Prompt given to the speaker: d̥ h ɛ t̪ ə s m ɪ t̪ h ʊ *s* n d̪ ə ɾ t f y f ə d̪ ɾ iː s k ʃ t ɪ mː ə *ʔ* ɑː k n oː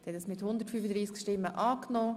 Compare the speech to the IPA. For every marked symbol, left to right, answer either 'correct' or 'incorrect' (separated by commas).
incorrect, correct